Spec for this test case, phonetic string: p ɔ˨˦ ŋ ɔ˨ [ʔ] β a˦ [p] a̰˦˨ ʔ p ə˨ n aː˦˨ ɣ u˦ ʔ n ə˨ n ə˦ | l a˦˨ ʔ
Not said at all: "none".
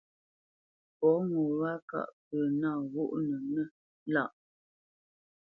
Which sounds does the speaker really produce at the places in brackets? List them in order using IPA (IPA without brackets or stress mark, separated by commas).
none, k